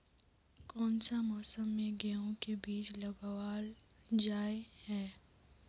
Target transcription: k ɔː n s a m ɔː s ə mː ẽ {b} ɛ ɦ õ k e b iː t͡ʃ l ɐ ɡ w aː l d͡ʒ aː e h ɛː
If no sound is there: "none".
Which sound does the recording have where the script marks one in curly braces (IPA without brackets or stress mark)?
ɡ